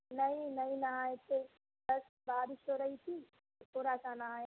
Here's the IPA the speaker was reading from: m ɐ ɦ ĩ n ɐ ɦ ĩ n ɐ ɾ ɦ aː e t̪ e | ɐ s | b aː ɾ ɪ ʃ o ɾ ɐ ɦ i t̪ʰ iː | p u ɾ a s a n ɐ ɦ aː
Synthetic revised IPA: n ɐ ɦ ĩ n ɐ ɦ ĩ n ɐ ɦ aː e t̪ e | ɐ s | b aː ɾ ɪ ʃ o ɾ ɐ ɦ i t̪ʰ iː | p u ɾ a s a n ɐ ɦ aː